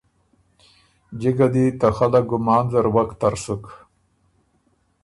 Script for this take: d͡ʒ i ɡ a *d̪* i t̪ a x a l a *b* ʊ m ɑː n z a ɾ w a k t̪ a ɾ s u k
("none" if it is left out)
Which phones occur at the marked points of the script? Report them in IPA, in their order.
d̪, ɡ

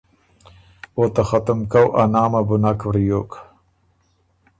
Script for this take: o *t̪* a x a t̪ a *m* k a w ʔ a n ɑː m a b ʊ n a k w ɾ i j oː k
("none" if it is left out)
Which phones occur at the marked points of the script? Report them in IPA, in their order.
t̪, m

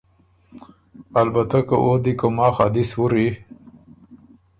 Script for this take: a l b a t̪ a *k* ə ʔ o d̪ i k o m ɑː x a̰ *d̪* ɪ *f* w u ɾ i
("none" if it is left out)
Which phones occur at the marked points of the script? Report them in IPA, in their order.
k, d̪, s

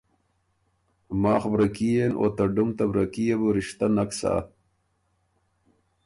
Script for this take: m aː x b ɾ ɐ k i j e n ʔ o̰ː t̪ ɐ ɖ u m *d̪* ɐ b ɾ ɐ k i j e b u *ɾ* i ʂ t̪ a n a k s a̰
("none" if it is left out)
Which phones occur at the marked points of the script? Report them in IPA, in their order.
t̪, ɾ

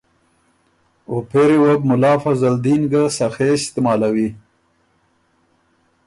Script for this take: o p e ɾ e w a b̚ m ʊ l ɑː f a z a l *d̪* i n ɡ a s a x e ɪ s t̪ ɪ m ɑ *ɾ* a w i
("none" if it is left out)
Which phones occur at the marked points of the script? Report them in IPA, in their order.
d̪, l

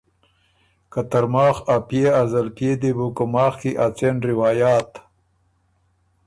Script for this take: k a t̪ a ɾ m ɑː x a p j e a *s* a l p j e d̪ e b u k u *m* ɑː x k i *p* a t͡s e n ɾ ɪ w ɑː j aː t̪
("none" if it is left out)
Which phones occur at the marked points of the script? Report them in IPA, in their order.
z, m, ʔ

